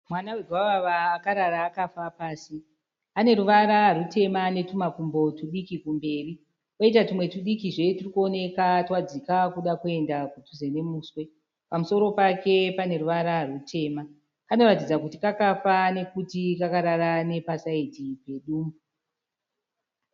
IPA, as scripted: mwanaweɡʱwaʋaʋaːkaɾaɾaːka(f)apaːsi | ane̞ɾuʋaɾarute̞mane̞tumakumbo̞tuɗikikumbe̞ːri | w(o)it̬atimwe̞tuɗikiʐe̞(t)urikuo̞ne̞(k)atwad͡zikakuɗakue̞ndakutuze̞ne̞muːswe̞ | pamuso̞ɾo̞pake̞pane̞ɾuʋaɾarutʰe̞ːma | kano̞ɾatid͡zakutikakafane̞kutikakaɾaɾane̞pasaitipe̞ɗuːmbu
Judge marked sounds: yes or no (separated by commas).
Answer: yes, yes, yes, yes